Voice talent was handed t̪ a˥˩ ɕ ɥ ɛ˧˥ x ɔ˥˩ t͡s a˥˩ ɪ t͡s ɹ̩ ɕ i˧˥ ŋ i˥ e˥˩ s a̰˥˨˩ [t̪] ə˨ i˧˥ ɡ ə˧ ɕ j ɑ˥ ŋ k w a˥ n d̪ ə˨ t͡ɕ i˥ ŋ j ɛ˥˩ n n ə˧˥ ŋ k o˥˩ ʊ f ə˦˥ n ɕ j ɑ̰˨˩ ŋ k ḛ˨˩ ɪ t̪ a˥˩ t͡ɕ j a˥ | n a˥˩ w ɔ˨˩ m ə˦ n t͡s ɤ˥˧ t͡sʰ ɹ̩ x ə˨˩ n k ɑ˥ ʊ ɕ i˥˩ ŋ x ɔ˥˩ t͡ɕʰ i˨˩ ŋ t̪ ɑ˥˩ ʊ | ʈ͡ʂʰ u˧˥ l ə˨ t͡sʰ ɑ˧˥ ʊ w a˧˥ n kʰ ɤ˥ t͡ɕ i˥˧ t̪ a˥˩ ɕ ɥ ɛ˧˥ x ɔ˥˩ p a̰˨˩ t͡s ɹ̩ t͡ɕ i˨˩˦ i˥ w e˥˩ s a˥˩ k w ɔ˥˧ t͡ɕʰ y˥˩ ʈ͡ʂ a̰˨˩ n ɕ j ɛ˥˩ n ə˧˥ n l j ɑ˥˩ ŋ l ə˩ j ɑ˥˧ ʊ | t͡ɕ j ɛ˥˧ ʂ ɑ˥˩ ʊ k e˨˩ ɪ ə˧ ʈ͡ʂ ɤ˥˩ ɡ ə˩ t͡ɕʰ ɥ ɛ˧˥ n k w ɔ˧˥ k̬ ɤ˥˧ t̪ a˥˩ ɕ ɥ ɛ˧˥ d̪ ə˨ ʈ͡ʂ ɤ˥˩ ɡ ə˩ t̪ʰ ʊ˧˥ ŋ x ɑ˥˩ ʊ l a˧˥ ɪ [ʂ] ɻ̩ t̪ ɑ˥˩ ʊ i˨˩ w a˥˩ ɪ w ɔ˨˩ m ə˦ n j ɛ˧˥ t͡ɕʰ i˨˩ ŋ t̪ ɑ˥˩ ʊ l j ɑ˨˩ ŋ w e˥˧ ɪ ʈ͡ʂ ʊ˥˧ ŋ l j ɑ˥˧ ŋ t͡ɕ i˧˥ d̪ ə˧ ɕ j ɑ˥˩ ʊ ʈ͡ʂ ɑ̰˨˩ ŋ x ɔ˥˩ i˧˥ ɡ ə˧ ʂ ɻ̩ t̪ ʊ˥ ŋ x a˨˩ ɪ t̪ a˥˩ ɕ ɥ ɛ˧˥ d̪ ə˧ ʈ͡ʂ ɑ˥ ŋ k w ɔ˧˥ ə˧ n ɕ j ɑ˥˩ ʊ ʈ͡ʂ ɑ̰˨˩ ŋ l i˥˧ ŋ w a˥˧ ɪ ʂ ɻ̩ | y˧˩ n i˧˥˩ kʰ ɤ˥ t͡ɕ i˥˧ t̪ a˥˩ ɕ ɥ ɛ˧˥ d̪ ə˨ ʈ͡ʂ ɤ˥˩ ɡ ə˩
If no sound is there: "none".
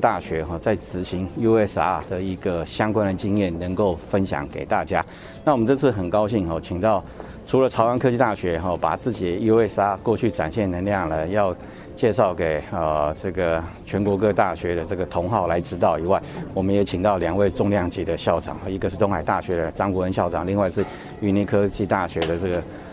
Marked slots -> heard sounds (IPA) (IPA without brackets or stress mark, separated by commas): d̪, ʈ͡ʂ